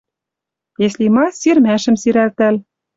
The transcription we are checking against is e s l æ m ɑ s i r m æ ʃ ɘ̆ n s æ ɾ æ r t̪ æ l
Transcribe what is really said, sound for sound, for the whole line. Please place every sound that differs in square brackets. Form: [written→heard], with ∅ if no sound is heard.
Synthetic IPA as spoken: e s l [æ→i] m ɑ s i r m æ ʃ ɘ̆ [n→m] s [æ→i] ɾ æ [r→l] t̪ æ l